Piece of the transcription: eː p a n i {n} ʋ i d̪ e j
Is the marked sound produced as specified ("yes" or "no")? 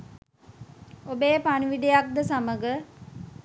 no